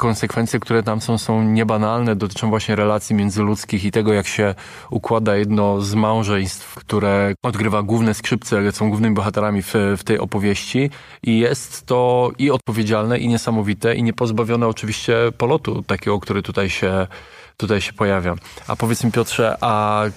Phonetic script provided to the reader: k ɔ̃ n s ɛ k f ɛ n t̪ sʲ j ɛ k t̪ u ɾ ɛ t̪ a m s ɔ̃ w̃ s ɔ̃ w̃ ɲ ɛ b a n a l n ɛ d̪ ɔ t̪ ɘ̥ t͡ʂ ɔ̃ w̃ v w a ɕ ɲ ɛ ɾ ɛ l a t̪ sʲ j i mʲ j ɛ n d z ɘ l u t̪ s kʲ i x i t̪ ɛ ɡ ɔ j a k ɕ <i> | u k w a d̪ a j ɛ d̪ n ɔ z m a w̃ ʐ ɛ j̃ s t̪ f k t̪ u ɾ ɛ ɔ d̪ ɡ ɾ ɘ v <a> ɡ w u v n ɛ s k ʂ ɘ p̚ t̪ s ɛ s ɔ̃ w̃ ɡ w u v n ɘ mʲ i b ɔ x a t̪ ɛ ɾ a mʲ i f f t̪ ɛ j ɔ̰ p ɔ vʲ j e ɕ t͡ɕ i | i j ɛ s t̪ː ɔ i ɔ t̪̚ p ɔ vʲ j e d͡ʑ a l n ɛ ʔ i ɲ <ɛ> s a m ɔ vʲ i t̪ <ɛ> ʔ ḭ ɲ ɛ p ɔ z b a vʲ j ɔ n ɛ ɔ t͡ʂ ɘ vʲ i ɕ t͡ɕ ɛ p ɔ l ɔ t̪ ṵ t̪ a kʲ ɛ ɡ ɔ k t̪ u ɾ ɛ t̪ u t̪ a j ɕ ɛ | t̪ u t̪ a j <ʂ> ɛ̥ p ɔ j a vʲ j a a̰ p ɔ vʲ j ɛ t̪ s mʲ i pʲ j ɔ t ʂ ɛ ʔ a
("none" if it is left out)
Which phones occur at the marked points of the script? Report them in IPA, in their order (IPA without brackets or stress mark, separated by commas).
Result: ɛ, a, ɛ, ɛ, ɕ